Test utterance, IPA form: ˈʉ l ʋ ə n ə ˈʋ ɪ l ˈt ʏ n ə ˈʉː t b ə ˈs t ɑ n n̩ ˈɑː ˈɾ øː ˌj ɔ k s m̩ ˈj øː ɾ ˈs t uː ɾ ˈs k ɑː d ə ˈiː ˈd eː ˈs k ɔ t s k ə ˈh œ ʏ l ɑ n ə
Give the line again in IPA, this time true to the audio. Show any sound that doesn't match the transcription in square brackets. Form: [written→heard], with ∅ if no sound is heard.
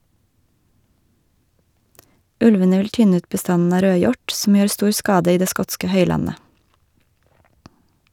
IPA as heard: ˈʉ l ʋ ə n ə ˈʋ ɪ l ˈt ʏ n ə ˈʉː t b ə ˈs t ɑ n n̩ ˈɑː ˈɾ øː ˌj ɔ [k→ʈ] s m̩ ˈj øː ɾ ˈs t uː ɾ ˈs k ɑː d ə ˈiː ˈd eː ˈs k ɔ t s k ə ˈh œ ʏ l ɑ n ə